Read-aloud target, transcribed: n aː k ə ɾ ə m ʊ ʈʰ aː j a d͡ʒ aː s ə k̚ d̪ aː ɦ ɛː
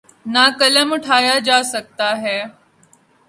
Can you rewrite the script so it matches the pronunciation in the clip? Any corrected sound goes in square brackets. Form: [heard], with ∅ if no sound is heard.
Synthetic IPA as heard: n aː k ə [l] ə m ʊ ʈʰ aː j a d͡ʒ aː s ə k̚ [t̪] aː ɦ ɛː

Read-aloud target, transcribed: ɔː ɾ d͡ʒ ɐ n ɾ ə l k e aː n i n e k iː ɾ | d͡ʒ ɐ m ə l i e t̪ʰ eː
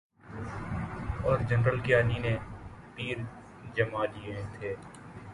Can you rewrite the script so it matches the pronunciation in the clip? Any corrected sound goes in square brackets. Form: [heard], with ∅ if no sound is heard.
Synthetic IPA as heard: ɔː ɾ d͡ʒ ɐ n ɾ ə l k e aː n i n e [p] iː ɾ | d͡ʒ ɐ m [a] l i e t̪ʰ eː

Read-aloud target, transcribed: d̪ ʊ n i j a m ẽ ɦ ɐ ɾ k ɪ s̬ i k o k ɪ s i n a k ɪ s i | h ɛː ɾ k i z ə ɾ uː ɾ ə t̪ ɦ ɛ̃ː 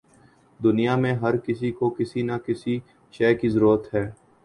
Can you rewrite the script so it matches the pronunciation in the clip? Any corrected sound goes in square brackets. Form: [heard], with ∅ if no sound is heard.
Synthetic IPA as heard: d̪ ʊ n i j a m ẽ ɦ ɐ ɾ k ɪ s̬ i k o k ɪ s i n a k ɪ s i | [ʃ] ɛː [∅] k i z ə ɾ uː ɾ ə t̪ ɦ [ɛː]

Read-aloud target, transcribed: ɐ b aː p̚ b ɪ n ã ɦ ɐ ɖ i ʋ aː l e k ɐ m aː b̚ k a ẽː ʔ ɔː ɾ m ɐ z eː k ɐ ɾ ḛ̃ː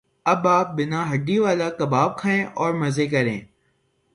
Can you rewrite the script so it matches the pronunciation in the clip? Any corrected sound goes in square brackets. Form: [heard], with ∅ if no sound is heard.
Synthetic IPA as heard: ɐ b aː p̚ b ɪ n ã ɦ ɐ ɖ i ʋ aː l [a] k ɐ [b] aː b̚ [kʰ] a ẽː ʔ ɔː ɾ m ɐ z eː k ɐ ɾ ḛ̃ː

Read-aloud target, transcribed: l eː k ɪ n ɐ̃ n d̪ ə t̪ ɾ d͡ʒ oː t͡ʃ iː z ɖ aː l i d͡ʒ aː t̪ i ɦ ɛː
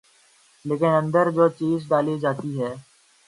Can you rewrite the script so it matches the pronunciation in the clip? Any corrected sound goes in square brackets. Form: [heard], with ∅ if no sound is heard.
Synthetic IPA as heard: l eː k ɪ n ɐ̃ n d̪ ə [∅] ɾ d͡ʒ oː t͡ʃ iː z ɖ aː l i d͡ʒ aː t̪ i ɦ ɛː

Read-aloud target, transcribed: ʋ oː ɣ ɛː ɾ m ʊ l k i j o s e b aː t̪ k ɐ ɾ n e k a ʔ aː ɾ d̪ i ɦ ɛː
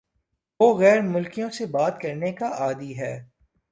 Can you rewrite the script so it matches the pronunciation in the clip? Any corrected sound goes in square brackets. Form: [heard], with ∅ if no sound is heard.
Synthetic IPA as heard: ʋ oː ɣ ɛː ɾ m ʊ l k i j [õ] s e b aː t̪ k ɐ ɾ n e k a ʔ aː [∅] d̪ i ɦ ɛː

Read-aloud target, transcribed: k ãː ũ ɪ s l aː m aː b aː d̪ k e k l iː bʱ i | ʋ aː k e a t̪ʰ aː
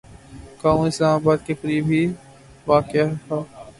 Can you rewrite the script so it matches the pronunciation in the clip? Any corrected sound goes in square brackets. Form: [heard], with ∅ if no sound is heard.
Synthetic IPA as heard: k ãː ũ ɪ s l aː m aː b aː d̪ k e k [ɾ] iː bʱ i | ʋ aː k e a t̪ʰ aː

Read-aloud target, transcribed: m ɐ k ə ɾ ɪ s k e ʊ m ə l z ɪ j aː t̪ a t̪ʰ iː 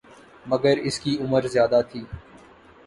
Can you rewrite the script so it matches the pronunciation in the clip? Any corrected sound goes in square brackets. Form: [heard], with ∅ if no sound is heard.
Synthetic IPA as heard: m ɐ [ɡ] ə ɾ ɪ s k [i] ʊ m ə [ɾ] z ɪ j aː [d̪] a t̪ʰ iː

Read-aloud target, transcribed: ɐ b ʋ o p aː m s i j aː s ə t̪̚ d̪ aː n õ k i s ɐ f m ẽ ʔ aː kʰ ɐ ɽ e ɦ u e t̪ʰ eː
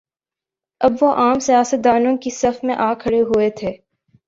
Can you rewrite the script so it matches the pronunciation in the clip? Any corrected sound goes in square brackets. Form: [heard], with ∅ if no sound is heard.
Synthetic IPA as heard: ɐ b ʋ o [ʔ] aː m s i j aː s ə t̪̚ d̪ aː n õ k i s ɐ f m ẽ ʔ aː kʰ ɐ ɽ e ɦ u e t̪ʰ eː

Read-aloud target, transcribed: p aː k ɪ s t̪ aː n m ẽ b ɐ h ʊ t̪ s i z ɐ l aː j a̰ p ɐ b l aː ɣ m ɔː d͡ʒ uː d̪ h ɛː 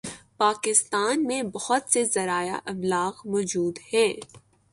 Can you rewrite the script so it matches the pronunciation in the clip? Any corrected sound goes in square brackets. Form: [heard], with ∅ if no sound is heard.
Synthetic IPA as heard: p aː k ɪ s t̪ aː n m ẽ b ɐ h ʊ t̪ s [e] z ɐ [ɾ] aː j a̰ [ʔ] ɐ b l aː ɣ m ɔː d͡ʒ uː d̪ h ɛː

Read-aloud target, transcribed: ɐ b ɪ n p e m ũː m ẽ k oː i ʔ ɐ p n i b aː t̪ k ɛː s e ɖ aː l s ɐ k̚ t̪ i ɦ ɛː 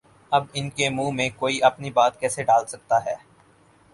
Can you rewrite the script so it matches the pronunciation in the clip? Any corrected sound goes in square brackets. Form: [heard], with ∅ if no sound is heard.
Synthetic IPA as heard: ɐ b ɪ n [k] e m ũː m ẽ k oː i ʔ ɐ p n i b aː t̪ k ɛː s e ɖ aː l s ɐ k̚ t̪ [a] ɦ ɛː

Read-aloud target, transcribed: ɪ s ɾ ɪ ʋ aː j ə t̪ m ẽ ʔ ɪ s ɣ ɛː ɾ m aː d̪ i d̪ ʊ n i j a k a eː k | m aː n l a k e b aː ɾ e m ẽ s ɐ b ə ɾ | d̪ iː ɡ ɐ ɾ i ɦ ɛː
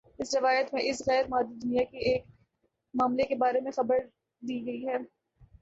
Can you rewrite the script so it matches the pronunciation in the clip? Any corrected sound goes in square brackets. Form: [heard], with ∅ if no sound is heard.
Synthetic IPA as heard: ɪ s ɾ ɪ ʋ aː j ə t̪ m ẽ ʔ ɪ s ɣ ɛː ɾ m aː d̪ i d̪ ʊ n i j a k [i] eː k | m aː [m] l [e] k e b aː ɾ e m ẽ [x] ɐ b ə ɾ | d̪ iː ɡ ɐ [∅] i ɦ ɛː

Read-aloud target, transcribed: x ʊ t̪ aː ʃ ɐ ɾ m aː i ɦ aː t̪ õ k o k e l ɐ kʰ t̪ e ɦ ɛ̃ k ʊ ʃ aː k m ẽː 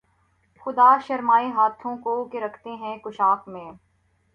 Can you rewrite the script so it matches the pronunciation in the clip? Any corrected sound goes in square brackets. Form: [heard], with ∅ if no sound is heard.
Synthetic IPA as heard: x ʊ [d̪] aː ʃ ɐ ɾ m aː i ɦ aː [t̪ʰ] õ k o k e [ɾ] ɐ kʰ t̪ e ɦ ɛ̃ k ʊ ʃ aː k m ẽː

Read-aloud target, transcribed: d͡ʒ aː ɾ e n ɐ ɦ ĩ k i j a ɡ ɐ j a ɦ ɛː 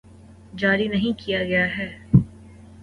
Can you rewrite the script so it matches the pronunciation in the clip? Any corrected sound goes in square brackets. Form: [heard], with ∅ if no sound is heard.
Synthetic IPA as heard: d͡ʒ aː ɾ [i] n ɐ ɦ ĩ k i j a ɡ ɐ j a ɦ ɛː

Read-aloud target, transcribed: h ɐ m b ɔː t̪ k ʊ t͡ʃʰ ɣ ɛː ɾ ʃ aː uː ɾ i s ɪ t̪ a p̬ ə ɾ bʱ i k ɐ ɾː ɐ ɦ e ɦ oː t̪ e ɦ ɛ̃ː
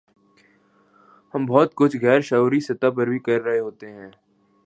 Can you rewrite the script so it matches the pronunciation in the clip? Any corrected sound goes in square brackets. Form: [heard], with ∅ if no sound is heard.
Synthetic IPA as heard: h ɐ m b ɔː t̪ k ʊ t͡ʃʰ ɣ ɛː ɾ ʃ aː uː ɾ i s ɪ t̪ a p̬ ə ɾ bʱ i k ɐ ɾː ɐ ɦ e ɦ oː t̪ e ɦ ɛ̃ː

